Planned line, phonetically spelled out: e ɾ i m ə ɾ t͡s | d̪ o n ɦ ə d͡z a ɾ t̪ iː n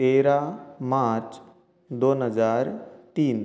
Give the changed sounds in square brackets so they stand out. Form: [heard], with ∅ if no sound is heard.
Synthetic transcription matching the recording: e ɾ [a] m [a] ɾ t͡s | d̪ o n ɦ ə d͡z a ɾ t̪ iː n